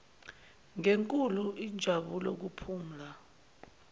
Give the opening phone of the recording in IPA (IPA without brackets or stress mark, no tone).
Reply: ŋ